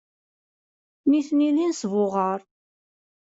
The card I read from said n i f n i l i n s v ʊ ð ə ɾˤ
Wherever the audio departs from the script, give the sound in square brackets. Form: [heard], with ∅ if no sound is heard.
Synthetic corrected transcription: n i [θ] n i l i n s v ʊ [ʁ] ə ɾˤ